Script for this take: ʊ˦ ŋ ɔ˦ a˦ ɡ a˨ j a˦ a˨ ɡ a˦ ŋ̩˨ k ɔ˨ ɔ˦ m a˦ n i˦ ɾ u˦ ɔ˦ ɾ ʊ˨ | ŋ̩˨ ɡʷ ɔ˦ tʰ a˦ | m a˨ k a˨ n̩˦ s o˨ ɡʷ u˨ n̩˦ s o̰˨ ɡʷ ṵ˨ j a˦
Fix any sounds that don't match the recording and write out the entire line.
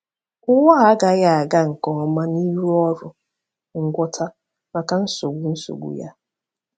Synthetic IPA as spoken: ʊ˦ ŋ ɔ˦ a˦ ɡ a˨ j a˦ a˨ ɡ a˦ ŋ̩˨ k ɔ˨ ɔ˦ m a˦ n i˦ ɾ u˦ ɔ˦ ɾ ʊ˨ | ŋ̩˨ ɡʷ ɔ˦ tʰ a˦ | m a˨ k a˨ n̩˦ s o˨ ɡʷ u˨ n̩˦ s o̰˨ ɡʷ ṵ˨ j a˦